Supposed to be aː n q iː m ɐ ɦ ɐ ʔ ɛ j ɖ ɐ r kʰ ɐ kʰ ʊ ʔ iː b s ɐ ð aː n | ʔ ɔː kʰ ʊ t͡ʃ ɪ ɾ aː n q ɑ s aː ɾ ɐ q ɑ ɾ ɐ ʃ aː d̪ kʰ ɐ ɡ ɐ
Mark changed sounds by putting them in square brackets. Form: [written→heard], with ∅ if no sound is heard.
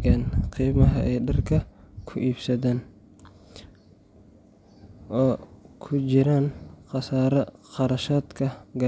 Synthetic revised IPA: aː n q iː m ɐ ɦ ɐ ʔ ɛ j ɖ ɐ r kʰ ɐ kʰ ʊ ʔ iː b s ɐ ð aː n | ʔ ɔː kʰ ʊ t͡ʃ ɪ ɾ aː n q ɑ s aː ɾ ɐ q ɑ ɾ ɐ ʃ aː d̪ kʰ ɐ ɡ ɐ

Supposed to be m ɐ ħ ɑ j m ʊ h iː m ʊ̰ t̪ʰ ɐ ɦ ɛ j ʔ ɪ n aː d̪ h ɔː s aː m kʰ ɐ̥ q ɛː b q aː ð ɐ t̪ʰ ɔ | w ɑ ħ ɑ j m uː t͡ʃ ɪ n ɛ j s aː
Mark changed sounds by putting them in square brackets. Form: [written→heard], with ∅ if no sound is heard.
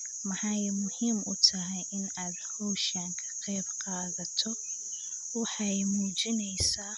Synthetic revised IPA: m ɐ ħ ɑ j m ʊ h iː m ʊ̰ t̪ʰ ɐ ɦ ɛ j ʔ ɪ n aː d̪ h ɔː [s→ʃ] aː [m→ŋ] kʰ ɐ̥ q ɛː b q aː ð ɐ t̪ʰ ɔ | w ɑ ħ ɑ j m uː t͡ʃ ɪ n ɛ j s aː

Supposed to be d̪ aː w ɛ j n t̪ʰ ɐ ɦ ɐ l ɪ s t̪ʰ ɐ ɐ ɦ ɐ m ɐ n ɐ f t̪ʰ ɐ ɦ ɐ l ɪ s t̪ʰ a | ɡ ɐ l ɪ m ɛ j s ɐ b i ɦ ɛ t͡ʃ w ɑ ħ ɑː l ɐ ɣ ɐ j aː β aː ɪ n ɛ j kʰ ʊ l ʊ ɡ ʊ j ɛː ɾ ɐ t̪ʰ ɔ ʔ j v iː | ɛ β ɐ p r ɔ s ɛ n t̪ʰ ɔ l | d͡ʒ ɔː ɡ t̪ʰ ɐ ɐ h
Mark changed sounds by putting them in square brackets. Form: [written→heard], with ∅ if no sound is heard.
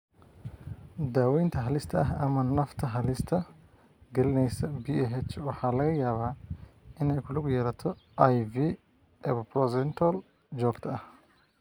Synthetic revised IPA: d̪ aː w ɛ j n t̪ʰ ɐ ɦ ɐ l ɪ s t̪ʰ ɐ ɐ ɦ ɐ m ɐ n ɐ f t̪ʰ ɐ ɦ ɐ l ɪ s t̪ʰ [a→ɐ] | ɡ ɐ l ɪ [m→n] ɛ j s ɐ b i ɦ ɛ t͡ʃ w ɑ ħ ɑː l ɐ ɣ ɐ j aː β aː ɪ n ɛ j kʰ ʊ l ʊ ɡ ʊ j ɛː ɾ ɐ t̪ʰ ɔ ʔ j v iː | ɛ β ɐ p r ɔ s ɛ n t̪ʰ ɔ l | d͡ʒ ɔː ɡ t̪ʰ ɐ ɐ h

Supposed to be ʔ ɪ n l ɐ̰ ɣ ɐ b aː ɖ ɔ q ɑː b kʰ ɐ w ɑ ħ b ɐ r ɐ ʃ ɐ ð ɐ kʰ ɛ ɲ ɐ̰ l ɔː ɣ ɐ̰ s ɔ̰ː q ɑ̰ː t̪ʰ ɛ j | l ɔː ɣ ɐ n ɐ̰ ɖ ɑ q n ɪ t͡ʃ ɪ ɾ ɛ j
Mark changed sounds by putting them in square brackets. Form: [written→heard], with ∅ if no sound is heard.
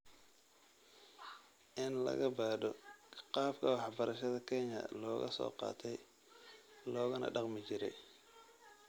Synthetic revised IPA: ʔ ɪ n l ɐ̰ ɣ ɐ b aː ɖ ɔ q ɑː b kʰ ɐ w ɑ ħ b ɐ [r→ɾ] ɐ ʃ ɐ ð ɐ kʰ ɛ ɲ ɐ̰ l ɔː ɣ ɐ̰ s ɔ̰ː q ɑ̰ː t̪ʰ ɛ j | l ɔː ɣ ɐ n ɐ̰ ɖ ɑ q [n→m] ɪ t͡ʃ ɪ ɾ ɛ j

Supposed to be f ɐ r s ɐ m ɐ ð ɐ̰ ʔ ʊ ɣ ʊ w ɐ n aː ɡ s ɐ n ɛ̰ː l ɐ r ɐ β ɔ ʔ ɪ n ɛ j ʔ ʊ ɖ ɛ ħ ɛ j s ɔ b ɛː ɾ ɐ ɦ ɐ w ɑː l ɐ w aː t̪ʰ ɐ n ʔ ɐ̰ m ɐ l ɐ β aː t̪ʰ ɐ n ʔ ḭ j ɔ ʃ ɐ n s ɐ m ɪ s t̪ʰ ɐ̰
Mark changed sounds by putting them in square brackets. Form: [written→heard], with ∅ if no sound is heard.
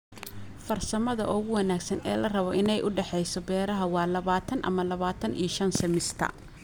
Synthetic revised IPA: f ɐ r s ɐ m ɐ ð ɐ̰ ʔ ʊ ɣ ʊ w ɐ n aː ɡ s ɐ n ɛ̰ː l ɐ r ɐ β ɔ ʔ ɪ n ɛ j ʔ ʊ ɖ ɛ ħ ɛ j s ɔ b ɛː ɾ ɐ ɦ ɐ w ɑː l ɐ [w→β] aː t̪ʰ ɐ n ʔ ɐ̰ m ɐ l ɐ β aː t̪ʰ ɐ n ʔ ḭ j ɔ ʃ ɐ n s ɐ m ɪ s t̪ʰ ɐ̰

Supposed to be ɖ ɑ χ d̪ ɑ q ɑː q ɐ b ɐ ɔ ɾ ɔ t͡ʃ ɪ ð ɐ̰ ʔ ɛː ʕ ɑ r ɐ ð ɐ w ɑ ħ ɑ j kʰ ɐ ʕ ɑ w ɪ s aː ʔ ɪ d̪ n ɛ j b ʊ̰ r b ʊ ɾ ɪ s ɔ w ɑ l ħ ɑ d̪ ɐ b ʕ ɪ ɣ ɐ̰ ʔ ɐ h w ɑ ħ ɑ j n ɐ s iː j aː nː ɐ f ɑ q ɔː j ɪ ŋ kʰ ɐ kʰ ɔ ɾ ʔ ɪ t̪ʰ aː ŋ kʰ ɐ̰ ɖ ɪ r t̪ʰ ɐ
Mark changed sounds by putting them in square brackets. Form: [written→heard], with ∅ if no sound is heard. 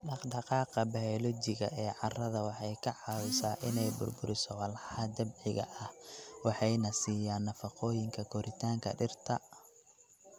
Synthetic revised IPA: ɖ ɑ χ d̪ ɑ q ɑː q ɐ b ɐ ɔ [ɾ→l] ɔ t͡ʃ ɪ [ð→ɣ] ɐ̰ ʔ ɛː ʕ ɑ r ɐ ð ɐ w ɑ ħ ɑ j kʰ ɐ ʕ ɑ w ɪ s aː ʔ ɪ [d̪→∅] n ɛ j b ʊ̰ r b ʊ ɾ ɪ s ɔ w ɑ l ħ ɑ d̪ ɐ b ʕ ɪ ɣ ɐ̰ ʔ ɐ h w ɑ ħ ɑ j n ɐ s iː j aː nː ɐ f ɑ q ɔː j ɪ ŋ kʰ ɐ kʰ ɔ ɾ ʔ ɪ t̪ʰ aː ŋ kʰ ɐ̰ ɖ ɪ r t̪ʰ ɐ

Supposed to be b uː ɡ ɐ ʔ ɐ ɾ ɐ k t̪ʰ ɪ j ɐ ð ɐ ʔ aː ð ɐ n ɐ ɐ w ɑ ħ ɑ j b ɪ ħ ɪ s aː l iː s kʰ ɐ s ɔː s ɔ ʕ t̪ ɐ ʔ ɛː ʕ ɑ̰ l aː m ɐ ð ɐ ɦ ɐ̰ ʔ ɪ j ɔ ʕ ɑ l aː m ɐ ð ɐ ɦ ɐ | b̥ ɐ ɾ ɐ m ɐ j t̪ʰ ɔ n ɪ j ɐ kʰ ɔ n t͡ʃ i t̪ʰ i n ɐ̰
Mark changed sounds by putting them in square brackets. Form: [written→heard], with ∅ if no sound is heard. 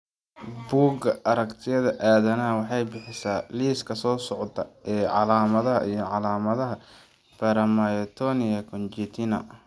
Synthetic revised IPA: b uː ɡ ɐ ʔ ɐ ɾ ɐ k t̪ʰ ɪ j ɐ ð ɐ ʔ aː ð ɐ n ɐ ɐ w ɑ ħ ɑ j b ɪ ħ ɪ s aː l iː s kʰ ɐ s ɔː s ɔ ʕ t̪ ɐ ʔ ɛː ʕ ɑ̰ l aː m ɐ ð ɐ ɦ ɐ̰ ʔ [ɪ→i] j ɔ ʕ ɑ l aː m ɐ ð ɐ ɦ ɐ | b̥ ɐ ɾ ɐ m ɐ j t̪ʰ ɔ n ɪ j ɐ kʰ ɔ n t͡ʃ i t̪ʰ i n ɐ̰

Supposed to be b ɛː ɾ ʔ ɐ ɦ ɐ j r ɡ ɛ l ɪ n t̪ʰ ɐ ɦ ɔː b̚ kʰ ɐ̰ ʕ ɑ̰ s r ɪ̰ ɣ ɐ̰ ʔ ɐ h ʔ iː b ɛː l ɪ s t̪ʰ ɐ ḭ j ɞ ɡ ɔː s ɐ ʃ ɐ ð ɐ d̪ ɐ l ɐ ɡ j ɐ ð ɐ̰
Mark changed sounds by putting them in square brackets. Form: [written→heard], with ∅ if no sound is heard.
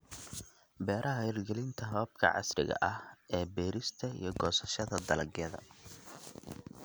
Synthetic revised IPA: b ɛː ɾ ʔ ɐ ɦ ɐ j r ɡ ɛ l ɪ n t̪ʰ ɐ ɦ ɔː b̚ kʰ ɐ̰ ʕ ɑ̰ s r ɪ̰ ɣ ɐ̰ ʔ ɐ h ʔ [iː→ɛː] b ɛː [l→ɾ] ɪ s t̪ʰ ɐ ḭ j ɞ ɡ ɔː s ɐ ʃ ɐ ð ɐ d̪ ɐ l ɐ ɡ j ɐ ð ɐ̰

